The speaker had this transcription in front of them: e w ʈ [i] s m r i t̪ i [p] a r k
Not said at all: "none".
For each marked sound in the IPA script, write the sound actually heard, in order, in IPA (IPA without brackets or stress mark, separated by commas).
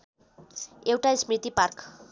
a, p